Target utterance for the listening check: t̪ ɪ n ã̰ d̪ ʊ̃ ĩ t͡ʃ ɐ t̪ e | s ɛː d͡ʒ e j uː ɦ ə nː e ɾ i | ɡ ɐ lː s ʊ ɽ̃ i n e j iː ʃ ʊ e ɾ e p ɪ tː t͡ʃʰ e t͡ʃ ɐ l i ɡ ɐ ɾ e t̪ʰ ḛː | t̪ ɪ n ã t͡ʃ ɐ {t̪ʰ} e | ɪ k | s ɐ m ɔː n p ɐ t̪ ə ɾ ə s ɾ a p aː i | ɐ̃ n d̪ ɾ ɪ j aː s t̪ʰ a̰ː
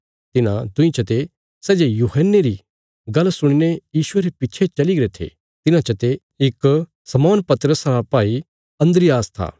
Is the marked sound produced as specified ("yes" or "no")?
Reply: no